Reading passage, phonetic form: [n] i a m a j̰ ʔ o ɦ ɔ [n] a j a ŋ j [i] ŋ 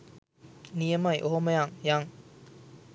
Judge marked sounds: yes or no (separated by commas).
yes, no, no